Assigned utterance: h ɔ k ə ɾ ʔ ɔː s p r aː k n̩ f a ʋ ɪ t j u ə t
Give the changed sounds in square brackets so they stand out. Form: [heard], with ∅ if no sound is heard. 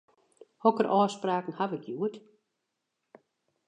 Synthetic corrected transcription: h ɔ k ə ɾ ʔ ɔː s p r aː k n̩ [h] a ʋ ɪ [k] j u ə t